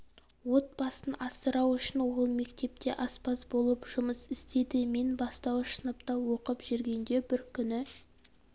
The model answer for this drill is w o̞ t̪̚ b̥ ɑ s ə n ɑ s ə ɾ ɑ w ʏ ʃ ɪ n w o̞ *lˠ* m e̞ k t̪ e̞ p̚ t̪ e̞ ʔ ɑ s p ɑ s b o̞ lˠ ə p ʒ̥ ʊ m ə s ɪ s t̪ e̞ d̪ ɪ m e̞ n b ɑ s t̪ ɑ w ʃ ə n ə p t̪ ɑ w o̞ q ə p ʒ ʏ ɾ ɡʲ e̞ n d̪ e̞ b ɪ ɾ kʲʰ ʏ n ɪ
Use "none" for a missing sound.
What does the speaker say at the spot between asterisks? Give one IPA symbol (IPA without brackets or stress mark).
lˠ